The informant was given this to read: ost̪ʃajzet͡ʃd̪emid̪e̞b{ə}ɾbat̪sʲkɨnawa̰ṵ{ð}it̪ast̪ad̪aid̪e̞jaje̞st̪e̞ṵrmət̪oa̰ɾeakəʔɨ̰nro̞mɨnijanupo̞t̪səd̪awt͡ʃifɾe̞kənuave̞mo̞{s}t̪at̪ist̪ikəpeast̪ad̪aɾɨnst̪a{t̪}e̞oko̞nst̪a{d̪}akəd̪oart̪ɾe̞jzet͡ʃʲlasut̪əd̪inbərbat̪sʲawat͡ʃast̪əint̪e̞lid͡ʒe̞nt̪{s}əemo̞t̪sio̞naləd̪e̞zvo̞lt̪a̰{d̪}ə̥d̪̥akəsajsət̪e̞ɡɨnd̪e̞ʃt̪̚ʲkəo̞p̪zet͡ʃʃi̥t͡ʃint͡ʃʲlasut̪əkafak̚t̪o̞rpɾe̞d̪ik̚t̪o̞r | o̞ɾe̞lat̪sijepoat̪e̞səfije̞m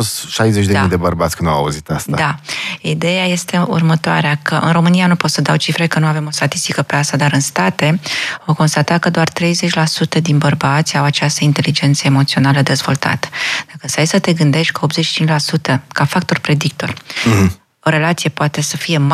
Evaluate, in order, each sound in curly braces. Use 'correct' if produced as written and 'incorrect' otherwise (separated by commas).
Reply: correct, incorrect, correct, correct, incorrect, correct, incorrect